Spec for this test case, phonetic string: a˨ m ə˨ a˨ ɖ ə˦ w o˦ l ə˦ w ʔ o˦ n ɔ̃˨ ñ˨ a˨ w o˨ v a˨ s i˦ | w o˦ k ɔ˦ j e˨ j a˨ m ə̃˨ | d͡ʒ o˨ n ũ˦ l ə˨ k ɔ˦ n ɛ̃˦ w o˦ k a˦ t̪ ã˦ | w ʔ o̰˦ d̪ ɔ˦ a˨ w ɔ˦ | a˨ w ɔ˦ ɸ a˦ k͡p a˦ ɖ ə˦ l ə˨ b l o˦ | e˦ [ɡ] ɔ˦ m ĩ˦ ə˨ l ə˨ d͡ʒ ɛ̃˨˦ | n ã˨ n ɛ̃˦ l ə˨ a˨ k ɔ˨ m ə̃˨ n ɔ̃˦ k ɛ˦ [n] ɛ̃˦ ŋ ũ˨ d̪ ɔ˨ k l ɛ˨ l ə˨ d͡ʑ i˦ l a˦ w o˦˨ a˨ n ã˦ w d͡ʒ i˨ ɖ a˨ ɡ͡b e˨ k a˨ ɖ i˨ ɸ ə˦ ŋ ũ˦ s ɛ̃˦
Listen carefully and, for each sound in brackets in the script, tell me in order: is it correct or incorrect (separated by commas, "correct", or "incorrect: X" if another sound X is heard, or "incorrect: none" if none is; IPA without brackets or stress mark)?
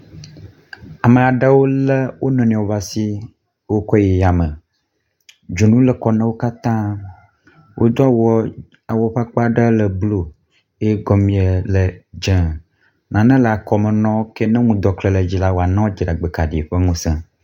correct, correct